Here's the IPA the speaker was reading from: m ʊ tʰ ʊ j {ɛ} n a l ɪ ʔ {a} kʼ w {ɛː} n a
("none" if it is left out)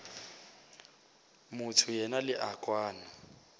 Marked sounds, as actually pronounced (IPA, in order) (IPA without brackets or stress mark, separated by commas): ɛ, a, aː